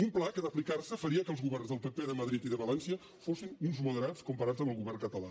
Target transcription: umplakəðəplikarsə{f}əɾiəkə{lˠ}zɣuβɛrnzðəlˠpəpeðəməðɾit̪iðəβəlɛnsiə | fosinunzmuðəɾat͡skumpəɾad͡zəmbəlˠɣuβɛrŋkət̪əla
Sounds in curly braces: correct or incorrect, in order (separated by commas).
correct, correct